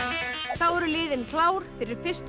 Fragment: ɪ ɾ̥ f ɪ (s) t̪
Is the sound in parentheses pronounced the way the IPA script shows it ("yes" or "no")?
yes